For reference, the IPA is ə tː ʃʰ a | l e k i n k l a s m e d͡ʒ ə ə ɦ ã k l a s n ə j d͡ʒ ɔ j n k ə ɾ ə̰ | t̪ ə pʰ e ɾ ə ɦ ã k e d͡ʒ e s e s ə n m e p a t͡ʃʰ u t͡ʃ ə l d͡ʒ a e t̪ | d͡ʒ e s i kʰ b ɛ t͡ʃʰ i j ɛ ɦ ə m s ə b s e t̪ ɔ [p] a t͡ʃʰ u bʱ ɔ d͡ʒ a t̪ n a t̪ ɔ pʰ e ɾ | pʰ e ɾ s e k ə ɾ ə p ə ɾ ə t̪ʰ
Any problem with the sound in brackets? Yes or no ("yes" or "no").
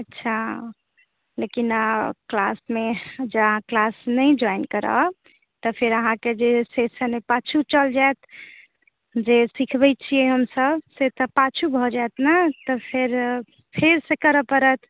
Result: no